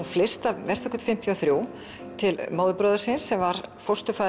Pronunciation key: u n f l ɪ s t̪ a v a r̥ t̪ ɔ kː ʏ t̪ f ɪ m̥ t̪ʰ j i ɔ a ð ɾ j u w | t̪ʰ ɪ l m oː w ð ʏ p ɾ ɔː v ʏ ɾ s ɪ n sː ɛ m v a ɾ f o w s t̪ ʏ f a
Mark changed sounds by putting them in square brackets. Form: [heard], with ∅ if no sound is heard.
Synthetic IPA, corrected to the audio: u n f l ɪ s t̪ a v [ɛ] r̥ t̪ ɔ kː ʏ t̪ f ɪ m̥ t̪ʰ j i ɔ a [θ] ɾ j u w | t̪ʰ ɪ l m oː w ð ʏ p ɾ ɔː [ð] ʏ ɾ s ɪ n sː ɛ m v a ɾ f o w s t̪ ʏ f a